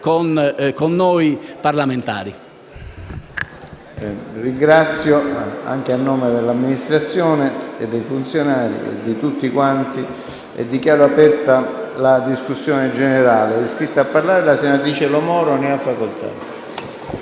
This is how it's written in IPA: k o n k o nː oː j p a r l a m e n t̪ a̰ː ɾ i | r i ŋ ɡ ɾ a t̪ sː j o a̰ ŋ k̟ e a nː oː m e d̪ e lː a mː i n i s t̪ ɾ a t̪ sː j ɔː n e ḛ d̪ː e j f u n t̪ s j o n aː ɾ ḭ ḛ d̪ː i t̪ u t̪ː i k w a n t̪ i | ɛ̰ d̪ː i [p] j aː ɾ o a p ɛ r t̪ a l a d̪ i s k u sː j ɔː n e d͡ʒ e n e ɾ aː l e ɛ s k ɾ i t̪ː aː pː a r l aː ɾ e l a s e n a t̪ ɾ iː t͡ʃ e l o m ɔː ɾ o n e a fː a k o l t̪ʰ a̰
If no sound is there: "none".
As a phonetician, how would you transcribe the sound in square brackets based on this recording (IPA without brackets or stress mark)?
k